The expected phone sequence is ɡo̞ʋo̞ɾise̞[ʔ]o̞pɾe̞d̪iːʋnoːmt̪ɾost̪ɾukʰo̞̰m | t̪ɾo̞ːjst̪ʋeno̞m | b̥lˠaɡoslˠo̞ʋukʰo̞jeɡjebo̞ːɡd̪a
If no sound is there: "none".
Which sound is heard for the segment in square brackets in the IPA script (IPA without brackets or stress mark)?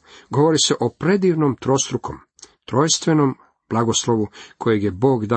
ʔ